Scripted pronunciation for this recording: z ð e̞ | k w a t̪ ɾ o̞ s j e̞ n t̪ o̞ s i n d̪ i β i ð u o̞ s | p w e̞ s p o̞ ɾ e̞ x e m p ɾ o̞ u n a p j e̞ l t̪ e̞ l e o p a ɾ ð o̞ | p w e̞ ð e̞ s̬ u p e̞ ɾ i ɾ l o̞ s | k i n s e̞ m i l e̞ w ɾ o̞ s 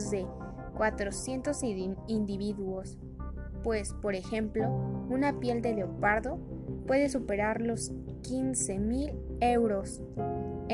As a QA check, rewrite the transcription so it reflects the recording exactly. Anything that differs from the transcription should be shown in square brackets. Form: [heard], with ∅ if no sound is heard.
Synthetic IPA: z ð e̞ | k w a t̪ ɾ o̞ s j e̞ n t̪ o̞ s i n d̪ i β i ð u o̞ s | p w e̞ s p o̞ ɾ e̞ x e m p [l] o̞ u n a p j e̞ l [d̪] e̞ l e o p a ɾ ð o̞ | p w e̞ ð e̞ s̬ u p e̞ ɾ [a] ɾ l o̞ s | k i n s e̞ m i l e̞ w ɾ o̞ s